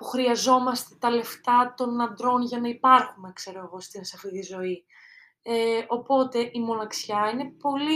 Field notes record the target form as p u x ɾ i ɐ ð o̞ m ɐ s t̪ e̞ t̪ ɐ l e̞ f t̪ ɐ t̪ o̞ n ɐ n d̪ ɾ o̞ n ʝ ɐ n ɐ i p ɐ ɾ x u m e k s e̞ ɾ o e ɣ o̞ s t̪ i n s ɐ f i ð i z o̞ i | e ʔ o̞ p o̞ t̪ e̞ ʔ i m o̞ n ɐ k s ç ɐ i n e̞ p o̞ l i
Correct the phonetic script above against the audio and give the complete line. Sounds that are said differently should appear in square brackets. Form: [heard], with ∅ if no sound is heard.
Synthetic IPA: p u x ɾ i ɐ [z] o̞ m ɐ s t̪ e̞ t̪ ɐ l e̞ f t̪ ɐ t̪ o̞ n ɐ n d̪ ɾ o̞ n ʝ ɐ n ɐ i p ɐ ɾ x u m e k s e̞ ɾ o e ɣ o̞ s t̪ i n s ɐ f i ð i z o̞ i | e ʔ o̞ p o̞ t̪ e̞ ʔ i m o̞ n ɐ k s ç ɐ i n e̞ p o̞ l i